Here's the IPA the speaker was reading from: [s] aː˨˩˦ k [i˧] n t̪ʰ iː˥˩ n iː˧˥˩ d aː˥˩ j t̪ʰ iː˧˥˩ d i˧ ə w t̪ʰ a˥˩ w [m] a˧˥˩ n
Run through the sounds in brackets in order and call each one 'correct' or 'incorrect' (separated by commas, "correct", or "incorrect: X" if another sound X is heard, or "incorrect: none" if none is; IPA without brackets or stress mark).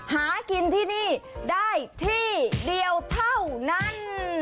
incorrect: h, correct, incorrect: n